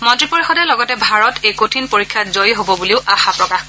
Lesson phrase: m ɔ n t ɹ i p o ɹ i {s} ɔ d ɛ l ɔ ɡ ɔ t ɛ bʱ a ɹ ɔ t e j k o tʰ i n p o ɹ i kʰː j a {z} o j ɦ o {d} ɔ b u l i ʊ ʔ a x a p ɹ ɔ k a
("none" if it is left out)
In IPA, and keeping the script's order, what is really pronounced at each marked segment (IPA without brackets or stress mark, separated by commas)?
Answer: x, z, b